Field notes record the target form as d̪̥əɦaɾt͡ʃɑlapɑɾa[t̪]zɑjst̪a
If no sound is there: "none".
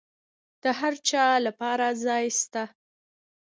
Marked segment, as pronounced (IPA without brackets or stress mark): none